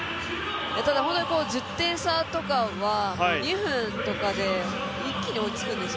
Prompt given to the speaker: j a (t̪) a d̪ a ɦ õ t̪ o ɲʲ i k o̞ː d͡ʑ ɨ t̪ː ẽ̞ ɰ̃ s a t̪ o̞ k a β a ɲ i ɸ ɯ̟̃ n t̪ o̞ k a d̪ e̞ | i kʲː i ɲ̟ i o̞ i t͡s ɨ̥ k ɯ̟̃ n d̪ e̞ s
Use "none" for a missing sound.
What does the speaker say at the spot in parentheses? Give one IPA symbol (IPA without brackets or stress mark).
t̪